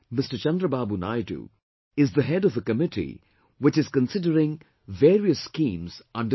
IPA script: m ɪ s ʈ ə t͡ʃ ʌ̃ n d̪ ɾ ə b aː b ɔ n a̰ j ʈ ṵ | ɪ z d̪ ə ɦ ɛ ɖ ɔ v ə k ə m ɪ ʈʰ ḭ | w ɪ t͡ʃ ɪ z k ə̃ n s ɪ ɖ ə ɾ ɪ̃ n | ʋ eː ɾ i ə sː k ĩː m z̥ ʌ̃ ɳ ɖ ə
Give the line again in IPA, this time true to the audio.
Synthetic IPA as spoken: m ɪ s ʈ ə t͡ʃ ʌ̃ n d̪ ɾ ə b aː b u n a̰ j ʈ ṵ | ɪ z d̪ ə ɦ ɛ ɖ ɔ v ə k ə m ɪ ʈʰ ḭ | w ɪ t͡ʃ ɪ z k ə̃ n s ɪ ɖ ə ɾ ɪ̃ ŋ | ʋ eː ɾ i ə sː k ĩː m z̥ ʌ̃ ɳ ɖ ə